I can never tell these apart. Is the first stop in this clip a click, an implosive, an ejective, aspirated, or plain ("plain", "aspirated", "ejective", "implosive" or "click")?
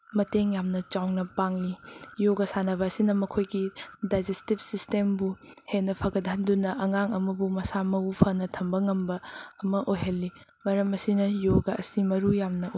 plain